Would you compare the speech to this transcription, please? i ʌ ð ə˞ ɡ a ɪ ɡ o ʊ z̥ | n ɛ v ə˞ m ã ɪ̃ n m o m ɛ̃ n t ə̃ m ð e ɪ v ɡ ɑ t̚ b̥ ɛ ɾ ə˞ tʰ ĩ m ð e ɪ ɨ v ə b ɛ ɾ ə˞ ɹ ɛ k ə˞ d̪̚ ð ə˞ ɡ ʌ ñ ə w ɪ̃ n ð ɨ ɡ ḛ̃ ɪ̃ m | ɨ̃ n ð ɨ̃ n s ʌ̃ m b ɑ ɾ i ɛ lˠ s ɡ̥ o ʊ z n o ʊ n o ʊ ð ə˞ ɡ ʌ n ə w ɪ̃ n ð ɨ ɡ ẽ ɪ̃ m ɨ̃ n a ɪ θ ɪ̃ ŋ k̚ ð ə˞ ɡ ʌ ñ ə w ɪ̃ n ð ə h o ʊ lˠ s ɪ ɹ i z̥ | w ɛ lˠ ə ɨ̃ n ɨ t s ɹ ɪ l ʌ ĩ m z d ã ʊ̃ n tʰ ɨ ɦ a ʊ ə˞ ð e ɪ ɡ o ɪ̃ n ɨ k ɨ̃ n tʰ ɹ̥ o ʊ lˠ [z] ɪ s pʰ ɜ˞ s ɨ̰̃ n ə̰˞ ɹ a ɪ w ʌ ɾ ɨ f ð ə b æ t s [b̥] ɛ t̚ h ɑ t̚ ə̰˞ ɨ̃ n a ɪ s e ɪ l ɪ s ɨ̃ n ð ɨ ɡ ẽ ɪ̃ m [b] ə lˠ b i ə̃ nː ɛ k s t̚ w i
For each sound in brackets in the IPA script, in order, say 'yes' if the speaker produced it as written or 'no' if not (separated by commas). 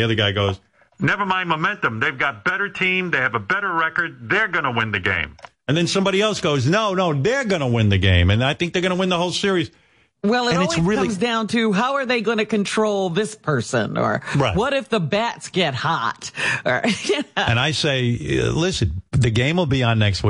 no, no, no